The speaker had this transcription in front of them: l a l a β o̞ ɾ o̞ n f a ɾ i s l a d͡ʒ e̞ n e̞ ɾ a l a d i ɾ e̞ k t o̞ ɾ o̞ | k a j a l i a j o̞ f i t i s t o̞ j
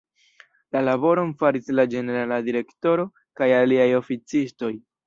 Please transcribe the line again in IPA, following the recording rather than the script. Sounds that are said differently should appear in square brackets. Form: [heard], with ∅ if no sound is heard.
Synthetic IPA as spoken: l a l a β o̞ ɾ o̞ n f a ɾ i s l a d͡ʒ e̞ n e̞ ɾ a l a d i ɾ e̞ k t o̞ ɾ o̞ | k a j a l i a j o̞ f i [t͡s] i s t o̞ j

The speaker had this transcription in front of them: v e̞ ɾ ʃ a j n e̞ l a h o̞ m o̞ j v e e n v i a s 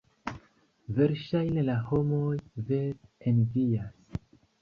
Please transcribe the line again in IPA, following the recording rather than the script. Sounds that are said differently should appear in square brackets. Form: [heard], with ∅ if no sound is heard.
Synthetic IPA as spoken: v e̞ ɾ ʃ a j n e̞ l a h o̞ m o̞ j v e e n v i a s

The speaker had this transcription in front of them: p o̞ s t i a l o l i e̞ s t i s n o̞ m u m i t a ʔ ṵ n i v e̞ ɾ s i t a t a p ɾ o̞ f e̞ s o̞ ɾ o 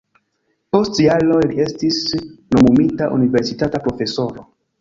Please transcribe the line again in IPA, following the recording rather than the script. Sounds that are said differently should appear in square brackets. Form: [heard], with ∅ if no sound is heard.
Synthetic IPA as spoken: p o̞ s t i a l o l i e̞ s t i s n o̞ m u m i t a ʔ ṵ n i v e̞ ɾ s i t a t a p ɾ o̞ f e̞ s o̞ ɾ o

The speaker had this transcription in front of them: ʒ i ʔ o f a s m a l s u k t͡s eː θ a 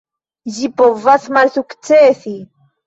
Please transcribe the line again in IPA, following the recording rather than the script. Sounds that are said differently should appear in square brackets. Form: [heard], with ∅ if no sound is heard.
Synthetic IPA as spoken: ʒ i [p] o [v] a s m a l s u k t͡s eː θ [i]

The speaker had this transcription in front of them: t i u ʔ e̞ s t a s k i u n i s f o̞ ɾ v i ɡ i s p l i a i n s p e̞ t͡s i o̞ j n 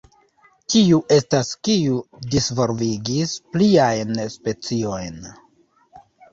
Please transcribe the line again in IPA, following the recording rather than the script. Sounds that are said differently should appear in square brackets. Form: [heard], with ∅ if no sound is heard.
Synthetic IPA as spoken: t i u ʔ e̞ s t a s k i u [d] i s [v] o̞ ɾ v i ɡ i s p l i a [j] n s p e̞ t͡s i o̞ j n

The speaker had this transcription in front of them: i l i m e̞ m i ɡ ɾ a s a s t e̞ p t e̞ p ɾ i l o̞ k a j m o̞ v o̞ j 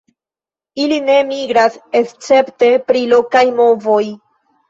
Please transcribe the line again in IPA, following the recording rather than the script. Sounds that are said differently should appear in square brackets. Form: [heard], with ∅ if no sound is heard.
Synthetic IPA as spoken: i l i [n] e̞ m i ɡ ɾ a s [e] s [t͡s] e̞ p t e̞ p ɾ i l o̞ k a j m o̞ v o̞ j

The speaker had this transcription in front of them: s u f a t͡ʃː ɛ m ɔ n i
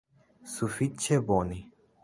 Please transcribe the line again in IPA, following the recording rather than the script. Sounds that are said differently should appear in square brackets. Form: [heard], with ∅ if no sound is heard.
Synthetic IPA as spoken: s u f [i] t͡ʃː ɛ [b] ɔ n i

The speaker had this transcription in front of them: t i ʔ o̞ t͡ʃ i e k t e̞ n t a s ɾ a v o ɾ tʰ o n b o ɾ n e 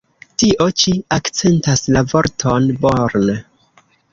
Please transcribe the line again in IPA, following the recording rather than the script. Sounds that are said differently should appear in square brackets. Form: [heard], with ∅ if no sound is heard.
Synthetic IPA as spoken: t i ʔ o̞ t͡ʃ i [a] k [t͡s] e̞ n t a s [l] a v o ɾ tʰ o n b o ɾ n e

